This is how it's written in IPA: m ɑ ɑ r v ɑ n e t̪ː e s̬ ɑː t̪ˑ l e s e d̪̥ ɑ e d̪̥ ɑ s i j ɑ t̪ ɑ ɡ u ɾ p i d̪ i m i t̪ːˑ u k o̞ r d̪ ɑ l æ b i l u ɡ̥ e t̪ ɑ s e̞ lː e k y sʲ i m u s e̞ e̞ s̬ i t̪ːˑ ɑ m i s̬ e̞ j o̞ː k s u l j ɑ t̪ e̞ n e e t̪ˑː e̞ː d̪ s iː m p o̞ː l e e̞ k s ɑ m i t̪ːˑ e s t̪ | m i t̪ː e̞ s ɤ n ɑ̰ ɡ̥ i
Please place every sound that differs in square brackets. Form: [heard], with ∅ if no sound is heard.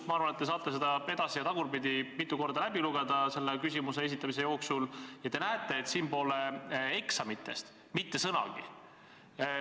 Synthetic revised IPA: m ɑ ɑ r v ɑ n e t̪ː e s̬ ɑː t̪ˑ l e s e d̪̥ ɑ e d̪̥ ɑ s i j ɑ t̪ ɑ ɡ u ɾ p i d̪ i m i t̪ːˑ u k o̞ r d̪ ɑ l æ b i l u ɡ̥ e [d̪] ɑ s e̞ lː e k y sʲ i m u s e̞ e̞ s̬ i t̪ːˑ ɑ m i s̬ e̞ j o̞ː k s u l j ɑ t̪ e̞ n [æ] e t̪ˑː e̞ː [t̪] s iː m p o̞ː l e e̞ k s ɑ m i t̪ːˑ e s t̪ | m i t̪ː e̞ s ɤ n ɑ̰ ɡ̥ i

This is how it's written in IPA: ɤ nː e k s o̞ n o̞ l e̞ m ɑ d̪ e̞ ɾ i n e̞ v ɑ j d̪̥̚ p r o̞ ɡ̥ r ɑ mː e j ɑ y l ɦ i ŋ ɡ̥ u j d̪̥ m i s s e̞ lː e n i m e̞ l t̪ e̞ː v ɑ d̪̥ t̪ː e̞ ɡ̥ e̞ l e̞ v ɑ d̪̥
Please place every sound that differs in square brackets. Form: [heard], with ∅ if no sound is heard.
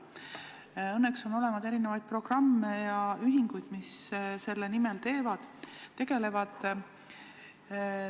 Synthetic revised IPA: ɤ nː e k s o̞ n o̞ l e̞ m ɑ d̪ e̞ ɾ i n e̞ v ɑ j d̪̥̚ p r o̞ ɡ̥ r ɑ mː e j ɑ y [∅] ɦ i ŋ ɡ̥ u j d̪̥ m i s s e̞ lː e n i m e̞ l t̪ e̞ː v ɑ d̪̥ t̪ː e̞ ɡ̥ e̞ l e̞ v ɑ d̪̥

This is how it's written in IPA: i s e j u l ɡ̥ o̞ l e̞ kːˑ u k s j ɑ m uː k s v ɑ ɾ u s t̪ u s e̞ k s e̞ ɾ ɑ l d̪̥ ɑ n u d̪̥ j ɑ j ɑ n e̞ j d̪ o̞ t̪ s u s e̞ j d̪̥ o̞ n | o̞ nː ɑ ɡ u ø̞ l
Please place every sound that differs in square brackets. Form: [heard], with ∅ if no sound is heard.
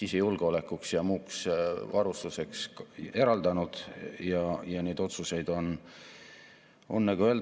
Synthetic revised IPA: i s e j u l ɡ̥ o̞ l e̞ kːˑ u k s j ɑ m uː k s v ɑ ɾ u s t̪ u s e̞ k s e̞ ɾ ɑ l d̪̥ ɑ n u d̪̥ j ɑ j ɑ n e̞ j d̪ o̞ t̪ s u s e̞ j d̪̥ o̞ n | o̞ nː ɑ ɡ u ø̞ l

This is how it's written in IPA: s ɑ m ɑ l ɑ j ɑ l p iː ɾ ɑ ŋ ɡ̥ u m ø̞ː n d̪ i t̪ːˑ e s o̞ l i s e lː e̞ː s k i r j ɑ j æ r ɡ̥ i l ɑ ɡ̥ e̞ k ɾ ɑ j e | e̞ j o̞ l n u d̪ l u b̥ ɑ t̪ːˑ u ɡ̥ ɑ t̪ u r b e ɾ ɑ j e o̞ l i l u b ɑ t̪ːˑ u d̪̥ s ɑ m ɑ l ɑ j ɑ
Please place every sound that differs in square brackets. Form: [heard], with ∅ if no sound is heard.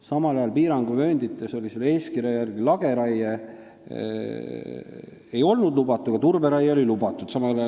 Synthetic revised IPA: s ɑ m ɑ l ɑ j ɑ l p iː ɾ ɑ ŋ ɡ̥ u m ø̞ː n d̪ i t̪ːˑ e s o̞ l i s e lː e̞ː s k i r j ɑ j æ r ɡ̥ i l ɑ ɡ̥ e̞ [∅] ɾ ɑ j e | e̞ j o̞ l n u d̪ l u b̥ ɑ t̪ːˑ u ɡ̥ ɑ t̪ u r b e ɾ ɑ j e o̞ l i l u b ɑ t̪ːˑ u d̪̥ s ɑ m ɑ l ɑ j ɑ

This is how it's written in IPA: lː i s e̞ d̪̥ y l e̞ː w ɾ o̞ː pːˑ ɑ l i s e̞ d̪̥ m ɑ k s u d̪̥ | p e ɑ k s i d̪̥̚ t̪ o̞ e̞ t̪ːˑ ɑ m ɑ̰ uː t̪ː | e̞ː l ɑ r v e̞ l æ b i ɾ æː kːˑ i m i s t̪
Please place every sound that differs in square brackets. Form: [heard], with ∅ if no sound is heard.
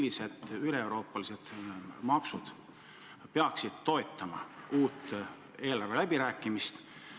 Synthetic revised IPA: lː i s e̞ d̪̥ y l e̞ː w ɾ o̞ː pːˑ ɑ l i s e̞ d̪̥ m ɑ k s u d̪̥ | p e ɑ k s i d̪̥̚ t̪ o̞ e̞ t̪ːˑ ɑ m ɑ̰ uː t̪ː | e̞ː l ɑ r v e̞ l æ b i ɾ æː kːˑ i m i s t̪

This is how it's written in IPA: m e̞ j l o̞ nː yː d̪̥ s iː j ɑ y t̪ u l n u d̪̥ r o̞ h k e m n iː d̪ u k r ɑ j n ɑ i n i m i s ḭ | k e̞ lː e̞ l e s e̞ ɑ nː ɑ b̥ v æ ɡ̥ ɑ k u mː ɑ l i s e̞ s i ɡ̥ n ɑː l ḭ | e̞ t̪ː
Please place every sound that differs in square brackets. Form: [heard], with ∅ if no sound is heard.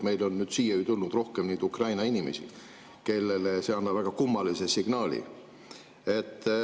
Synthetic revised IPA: m e̞ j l o̞ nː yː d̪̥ s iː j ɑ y t̪ u l n u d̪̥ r o̞ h k e m n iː d̪ u k r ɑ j n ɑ i n i m [e] s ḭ | k e̞ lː e̞ l e s e̞ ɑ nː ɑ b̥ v æ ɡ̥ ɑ k u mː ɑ l i s e̞ s i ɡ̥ n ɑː l ḭ | e̞ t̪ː

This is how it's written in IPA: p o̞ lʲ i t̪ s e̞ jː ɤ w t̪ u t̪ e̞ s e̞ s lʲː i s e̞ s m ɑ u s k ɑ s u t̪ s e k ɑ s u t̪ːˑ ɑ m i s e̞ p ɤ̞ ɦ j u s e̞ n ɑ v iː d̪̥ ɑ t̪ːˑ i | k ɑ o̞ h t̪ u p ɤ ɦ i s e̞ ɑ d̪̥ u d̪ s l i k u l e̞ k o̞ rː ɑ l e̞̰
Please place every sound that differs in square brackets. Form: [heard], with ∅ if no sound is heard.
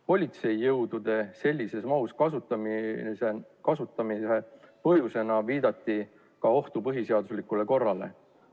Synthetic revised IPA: p o̞ lʲ i t̪ s e̞ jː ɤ w [d̪] u [d̪] e̞ s e̞ [∅] lʲː i s e̞ s m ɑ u s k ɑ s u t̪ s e k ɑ s u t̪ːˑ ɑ m i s e̞ p ɤ̞ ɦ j u s e̞ n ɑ v iː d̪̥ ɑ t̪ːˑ i | k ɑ o̞ h t̪ u p ɤ ɦ i s e̞ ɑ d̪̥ u [∅] s l i k u l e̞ k o̞ rː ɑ l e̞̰

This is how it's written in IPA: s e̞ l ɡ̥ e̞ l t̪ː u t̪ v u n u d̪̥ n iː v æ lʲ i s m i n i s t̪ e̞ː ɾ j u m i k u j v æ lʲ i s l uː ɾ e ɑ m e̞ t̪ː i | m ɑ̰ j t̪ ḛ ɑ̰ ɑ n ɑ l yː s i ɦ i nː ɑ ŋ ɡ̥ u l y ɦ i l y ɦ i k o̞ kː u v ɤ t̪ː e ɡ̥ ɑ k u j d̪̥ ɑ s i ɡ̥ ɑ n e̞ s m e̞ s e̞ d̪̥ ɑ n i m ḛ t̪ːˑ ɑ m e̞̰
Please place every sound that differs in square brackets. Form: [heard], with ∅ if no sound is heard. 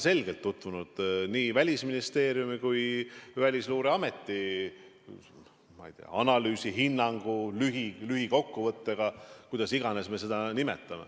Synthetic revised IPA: s e̞ l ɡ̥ e̞ l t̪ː u t̪ v u n u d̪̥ n iː v æ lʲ i s m i n i s t̪ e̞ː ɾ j u m i k u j v æ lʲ i s l uː ɾ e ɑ m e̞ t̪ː i | m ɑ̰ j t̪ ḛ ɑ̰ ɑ n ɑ l yː s i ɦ i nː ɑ ŋ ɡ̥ u l y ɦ i l y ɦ i k o̞ kː u v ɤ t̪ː e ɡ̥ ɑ k u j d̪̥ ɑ s i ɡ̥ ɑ n e̞ s m e̞ s e̞ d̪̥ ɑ n i m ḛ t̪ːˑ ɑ m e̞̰

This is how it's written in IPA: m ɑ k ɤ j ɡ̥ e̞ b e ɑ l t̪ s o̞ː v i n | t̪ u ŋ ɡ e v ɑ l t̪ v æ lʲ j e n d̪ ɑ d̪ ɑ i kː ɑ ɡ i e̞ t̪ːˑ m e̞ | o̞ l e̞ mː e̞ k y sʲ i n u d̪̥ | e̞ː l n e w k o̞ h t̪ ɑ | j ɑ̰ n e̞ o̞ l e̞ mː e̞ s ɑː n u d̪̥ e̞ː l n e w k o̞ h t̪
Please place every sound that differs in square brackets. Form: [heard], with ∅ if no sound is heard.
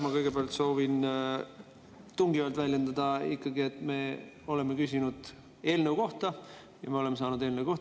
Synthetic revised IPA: m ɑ k ɤ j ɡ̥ e̞ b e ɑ l t̪ s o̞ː v i n | t̪ u ŋ ɡ [i] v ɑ l t̪ v æ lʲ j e n d̪ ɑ d̪ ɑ i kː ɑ ɡ i e̞ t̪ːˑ m e̞ | o̞ l e̞ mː e̞ k y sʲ i n u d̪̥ | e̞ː l n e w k o̞ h t̪ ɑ | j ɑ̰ [m] e̞ o̞ l e̞ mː e̞ s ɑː n u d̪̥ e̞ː l n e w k o̞ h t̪

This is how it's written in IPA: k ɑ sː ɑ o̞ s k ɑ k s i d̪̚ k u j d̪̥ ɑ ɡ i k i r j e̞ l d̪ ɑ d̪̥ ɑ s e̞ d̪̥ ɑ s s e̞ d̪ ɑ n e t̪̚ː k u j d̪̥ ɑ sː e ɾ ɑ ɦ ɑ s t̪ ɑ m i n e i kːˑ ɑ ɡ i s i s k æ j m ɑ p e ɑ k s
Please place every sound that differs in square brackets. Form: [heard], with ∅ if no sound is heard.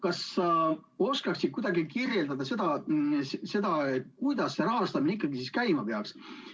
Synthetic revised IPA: k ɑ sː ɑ o̞ s k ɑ k s i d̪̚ k u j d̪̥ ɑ ɡ i k i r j e̞ l d̪ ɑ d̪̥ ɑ s e̞ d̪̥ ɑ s s e̞ d̪ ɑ [∅] e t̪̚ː k u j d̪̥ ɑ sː e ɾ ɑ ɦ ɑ s t̪ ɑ m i n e i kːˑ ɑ ɡ i s i s k æ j m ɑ p e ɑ k s

